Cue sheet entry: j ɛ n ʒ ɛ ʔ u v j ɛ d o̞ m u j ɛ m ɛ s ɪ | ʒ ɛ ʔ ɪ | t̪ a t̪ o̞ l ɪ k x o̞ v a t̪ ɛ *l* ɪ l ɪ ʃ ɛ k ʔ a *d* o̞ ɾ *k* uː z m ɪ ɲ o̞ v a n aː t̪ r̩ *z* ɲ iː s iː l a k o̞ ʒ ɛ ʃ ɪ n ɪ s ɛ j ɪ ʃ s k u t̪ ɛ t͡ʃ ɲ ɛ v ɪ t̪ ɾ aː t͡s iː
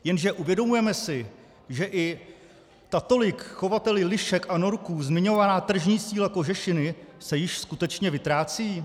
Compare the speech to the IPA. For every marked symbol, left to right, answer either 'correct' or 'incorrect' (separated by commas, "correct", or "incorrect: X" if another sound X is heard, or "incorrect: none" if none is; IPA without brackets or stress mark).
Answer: correct, incorrect: n, correct, incorrect: ʒ